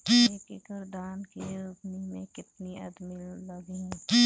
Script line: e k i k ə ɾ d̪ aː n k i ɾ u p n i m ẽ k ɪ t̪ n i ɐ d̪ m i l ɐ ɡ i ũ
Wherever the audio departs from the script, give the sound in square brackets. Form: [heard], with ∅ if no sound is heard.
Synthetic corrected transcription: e k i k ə ɾ d̪ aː n k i ɾ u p n i m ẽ k ɪ t̪ n i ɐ d̪ m i l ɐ ɡ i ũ